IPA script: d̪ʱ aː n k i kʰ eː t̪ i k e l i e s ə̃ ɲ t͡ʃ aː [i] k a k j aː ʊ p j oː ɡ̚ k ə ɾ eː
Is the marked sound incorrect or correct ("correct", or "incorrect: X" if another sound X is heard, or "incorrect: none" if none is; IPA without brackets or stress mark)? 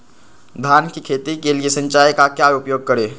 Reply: incorrect: j